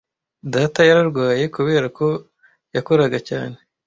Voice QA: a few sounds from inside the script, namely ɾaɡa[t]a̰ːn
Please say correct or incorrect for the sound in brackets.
incorrect: c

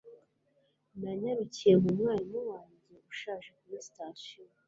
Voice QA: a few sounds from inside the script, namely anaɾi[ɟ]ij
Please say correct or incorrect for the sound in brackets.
incorrect: c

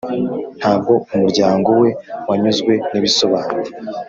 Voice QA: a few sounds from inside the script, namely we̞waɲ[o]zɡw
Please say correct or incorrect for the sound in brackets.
incorrect: u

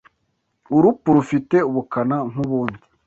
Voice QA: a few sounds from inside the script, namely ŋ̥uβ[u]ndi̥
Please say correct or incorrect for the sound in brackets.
incorrect: uː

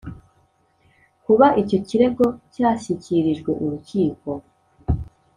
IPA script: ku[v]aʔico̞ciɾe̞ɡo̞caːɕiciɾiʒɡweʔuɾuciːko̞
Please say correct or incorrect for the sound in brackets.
incorrect: β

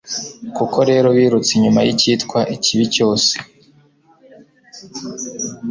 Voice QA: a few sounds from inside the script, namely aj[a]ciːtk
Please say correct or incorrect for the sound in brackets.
incorrect: i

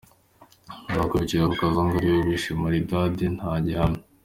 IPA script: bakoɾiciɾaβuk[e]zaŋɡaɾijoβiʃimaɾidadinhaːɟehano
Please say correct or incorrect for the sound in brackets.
incorrect: a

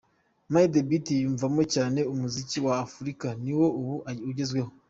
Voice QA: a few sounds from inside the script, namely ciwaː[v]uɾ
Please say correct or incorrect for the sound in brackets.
incorrect: f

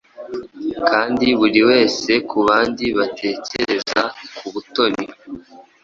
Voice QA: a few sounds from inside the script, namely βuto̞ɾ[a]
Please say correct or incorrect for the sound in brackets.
incorrect: i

